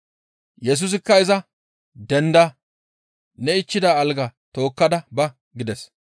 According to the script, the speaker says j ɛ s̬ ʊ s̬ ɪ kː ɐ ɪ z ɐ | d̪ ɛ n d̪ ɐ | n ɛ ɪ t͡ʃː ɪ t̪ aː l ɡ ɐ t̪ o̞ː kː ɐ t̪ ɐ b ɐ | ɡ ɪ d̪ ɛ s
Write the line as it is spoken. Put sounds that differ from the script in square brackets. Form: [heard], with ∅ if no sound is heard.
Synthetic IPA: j ɛ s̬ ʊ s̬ ɪ kː ɐ ɪ z ɐ | d̪ ɛ n d̪ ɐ | n ɛ ɪ t͡ʃː ɪ [d̪] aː l ɡ ɐ t̪ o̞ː kː ɐ [d̪] ɐ b ɐ | ɡ ɪ d̪ ɛ s

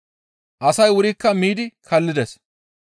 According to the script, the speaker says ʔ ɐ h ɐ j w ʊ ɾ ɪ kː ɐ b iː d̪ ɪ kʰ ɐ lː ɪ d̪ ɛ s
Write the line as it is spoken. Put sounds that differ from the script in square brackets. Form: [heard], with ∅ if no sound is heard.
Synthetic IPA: ʔ ɐ [s] ɐ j w ʊ ɾ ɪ kː ɐ [m] iː d̪ ɪ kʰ ɐ lː ɪ d̪ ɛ s

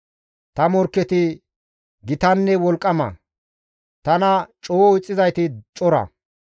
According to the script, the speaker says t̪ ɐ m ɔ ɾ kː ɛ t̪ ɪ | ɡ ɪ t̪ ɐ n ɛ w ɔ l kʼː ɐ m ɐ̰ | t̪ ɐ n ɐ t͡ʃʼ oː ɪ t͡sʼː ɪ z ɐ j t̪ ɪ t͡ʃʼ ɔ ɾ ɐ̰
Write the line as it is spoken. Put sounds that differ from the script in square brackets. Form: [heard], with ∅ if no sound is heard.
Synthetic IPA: t̪ ɐ m ɔ ɾ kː ɛ t̪ ɪ | ɡ ɪ t̪ ɐ [nː] ɛ w ɔ l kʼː ɐ m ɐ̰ | t̪ ɐ n ɐ t͡ʃʼ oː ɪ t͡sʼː ɪ z ɐ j t̪ ɪ t͡ʃʼ ɔ ɾ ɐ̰

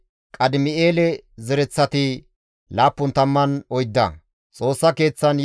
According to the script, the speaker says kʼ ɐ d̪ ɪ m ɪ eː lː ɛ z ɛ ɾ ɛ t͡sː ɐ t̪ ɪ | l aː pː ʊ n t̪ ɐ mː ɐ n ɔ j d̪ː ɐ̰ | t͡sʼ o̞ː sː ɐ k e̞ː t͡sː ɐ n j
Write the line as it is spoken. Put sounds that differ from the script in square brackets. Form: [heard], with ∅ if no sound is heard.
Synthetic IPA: kʼ ɐ d̪ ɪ m ɪ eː [l] ɛ z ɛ ɾ ɛ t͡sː ɐ t̪ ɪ | l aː pː ʊ n t̪ ɐ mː ɐ n ɔ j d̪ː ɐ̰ | t͡sʼ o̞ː sː ɐ k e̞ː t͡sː ɐ n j

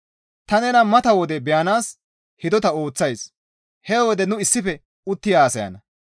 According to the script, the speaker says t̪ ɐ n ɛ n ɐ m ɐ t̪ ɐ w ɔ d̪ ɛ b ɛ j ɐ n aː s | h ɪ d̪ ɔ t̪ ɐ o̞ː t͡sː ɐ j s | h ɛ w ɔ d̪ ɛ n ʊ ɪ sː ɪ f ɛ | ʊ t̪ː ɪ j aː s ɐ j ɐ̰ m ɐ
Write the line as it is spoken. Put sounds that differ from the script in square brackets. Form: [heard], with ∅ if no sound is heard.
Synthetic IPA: t̪ ɐ n ɛ n ɐ m ɐ t̪ ɐ w ɔ d̪ ɛ b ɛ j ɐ n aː s | h ɪ d̪ ɔ t̪ ɐ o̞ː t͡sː ɐ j s | h ɛ w ɔ d̪ ɛ n ʊ ɪ sː ɪ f ɛ | ʊ t̪ː ɪ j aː s ɐ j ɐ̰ [n] ɐ

